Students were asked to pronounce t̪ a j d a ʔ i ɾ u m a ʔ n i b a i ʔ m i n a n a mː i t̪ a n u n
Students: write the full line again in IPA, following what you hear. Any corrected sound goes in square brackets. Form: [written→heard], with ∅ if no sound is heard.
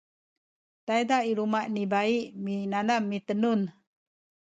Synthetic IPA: t̪ a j d a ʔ i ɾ u m a ʔ n i b a i ʔ m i n a n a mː i t̪ [a→ə] n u n